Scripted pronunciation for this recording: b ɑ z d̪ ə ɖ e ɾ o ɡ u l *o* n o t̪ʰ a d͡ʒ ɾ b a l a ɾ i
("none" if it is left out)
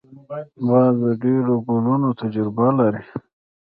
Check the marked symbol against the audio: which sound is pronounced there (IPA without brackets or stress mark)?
u